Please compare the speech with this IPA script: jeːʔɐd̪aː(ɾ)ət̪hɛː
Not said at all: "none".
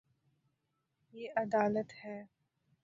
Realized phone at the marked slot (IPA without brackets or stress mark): l